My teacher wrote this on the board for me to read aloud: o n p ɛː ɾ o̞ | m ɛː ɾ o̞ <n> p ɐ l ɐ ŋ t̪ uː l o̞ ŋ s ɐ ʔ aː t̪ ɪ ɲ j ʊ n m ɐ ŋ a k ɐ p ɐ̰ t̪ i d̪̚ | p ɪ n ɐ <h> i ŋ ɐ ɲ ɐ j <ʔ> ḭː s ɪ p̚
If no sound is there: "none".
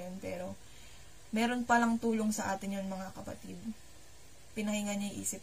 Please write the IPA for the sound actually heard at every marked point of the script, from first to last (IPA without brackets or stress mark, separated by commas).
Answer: n, h, ʔ